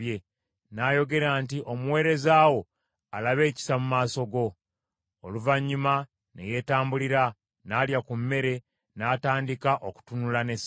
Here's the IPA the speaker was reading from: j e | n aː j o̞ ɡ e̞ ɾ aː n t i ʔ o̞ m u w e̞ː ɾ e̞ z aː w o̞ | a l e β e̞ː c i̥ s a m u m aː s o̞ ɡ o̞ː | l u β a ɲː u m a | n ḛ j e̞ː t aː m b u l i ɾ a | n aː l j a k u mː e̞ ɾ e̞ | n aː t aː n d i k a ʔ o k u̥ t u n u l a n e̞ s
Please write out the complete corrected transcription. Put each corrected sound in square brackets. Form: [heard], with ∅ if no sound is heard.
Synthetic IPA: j e | n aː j o̞ ɡ e̞ ɾ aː n t i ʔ o̞ m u w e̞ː ɾ e̞ z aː w o̞ | a l [a] β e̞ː c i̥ s a m u m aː s o̞ ɡ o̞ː | l u [v] a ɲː u m a | n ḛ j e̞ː t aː m b u l i ɾ a | n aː l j a k u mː e̞ ɾ e̞ | n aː t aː n d i k a ʔ o k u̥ t u n u l a n e̞ s